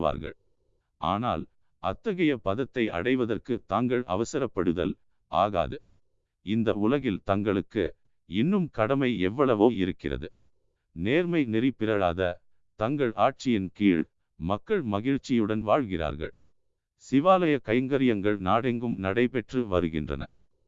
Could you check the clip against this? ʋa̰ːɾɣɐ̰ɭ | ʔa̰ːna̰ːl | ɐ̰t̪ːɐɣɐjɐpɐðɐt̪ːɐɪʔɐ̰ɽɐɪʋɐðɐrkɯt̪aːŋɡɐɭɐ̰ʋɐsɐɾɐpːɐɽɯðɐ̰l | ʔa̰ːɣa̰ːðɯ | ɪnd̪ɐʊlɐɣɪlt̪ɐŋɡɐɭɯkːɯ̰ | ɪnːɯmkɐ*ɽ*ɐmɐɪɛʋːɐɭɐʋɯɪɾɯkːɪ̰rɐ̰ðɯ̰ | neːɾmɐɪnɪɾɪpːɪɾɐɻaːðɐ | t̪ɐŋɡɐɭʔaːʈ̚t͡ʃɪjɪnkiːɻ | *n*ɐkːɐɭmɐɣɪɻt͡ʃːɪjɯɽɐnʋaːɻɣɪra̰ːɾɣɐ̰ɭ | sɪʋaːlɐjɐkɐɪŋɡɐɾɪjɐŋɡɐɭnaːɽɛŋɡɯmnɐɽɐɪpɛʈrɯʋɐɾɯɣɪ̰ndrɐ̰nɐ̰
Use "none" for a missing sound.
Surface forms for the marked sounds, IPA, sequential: ɽ, m

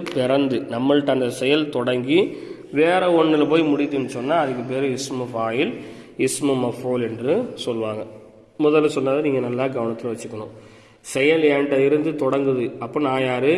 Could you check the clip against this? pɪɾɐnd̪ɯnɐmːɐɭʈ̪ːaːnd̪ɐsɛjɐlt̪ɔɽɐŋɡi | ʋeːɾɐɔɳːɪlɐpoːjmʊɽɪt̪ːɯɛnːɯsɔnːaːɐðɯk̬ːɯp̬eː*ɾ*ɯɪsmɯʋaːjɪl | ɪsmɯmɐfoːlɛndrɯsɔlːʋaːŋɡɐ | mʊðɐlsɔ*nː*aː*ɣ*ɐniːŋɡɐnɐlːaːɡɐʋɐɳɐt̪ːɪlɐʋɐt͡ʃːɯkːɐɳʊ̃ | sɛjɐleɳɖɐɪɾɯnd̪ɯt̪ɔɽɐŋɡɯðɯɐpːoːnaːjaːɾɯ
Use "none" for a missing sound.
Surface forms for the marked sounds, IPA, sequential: ɾ, nː, ð

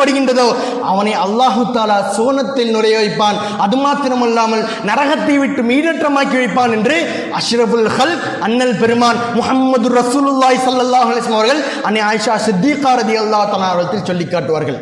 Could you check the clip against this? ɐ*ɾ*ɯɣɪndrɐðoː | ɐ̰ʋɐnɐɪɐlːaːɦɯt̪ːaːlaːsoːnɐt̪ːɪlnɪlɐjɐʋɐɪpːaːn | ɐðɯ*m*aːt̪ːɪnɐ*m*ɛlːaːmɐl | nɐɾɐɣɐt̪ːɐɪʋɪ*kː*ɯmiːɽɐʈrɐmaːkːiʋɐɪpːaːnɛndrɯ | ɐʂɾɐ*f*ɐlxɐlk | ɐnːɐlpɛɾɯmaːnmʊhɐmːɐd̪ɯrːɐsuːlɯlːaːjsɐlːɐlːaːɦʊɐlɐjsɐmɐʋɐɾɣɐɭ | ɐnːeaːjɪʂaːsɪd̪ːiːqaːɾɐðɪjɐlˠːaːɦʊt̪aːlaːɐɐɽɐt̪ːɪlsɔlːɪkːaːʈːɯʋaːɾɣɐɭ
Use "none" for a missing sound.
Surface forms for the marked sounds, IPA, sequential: ɽ, m, m, ʈː, f

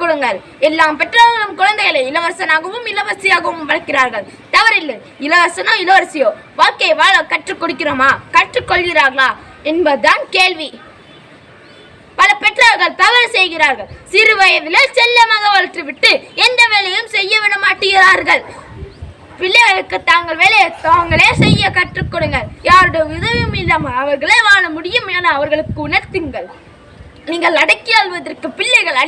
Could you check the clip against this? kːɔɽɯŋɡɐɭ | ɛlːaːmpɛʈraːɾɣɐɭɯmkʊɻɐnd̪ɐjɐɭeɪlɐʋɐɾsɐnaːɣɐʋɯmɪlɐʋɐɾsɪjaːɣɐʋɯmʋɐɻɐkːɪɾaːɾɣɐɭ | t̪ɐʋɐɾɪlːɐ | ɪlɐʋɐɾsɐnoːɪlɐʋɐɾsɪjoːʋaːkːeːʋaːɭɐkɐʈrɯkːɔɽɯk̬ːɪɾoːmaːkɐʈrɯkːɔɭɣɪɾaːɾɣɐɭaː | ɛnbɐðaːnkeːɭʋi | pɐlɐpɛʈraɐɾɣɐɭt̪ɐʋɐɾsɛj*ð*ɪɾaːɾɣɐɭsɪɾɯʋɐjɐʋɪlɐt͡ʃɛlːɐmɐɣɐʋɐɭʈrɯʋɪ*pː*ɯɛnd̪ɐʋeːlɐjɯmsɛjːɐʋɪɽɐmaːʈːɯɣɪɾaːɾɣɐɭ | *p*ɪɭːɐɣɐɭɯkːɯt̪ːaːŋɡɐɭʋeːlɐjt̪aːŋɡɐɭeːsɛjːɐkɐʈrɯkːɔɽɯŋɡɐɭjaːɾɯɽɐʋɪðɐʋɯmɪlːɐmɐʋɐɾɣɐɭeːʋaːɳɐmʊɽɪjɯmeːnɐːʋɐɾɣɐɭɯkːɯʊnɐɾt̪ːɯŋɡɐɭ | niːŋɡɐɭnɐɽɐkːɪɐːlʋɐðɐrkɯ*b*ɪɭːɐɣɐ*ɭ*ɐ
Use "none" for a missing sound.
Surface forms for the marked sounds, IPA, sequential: ɣ, ʈː, p, p, ɭ

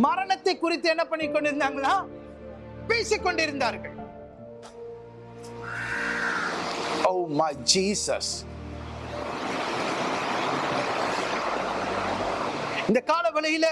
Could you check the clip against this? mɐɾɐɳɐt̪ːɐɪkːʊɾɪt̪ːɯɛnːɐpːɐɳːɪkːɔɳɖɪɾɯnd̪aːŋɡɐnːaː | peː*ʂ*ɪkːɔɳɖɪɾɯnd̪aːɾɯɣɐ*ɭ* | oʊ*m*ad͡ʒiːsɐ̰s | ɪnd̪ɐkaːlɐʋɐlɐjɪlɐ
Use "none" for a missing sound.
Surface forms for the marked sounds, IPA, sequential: s, ɭ, m

